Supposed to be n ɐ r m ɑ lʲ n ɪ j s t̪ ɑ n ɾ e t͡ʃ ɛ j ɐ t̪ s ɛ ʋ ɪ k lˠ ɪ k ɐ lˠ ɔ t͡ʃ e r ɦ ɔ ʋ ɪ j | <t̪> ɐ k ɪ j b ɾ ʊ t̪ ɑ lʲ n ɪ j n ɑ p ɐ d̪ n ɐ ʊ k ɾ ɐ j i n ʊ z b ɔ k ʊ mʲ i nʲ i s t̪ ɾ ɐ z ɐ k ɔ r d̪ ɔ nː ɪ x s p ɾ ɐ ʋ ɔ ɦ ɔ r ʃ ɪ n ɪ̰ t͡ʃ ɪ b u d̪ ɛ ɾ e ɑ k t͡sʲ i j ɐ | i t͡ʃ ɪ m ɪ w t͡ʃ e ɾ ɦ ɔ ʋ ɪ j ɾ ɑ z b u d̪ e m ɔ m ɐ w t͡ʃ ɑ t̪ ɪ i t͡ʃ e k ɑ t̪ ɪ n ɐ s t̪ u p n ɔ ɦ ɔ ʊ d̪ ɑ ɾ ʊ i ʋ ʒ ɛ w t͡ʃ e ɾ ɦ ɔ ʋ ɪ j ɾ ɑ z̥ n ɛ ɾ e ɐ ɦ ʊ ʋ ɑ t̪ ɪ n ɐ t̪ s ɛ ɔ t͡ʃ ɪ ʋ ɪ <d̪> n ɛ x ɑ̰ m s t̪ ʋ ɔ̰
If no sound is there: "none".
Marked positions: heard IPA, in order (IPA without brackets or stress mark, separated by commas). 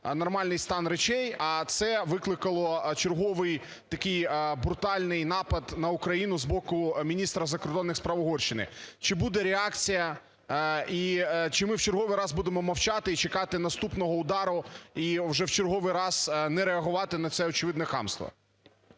t̪, d̪